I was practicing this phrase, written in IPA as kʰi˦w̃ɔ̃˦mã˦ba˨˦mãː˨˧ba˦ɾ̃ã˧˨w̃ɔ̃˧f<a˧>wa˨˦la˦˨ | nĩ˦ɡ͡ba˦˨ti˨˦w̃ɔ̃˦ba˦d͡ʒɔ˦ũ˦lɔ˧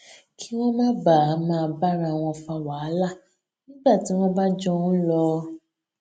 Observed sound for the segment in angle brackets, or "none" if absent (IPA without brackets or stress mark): a˧